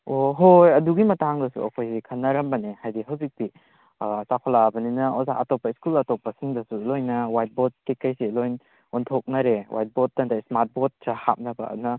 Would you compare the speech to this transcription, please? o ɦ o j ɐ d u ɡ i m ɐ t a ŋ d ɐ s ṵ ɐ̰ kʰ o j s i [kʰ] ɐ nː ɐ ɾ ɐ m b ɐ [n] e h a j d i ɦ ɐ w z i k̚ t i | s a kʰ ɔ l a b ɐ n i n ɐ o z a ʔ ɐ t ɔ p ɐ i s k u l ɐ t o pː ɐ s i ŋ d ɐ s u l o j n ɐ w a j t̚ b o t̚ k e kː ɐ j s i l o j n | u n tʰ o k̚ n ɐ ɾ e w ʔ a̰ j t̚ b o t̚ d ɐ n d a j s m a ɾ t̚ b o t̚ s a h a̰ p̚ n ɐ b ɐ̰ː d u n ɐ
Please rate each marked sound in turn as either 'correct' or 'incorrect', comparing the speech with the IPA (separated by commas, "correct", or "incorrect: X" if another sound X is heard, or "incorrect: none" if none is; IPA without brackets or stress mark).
correct, correct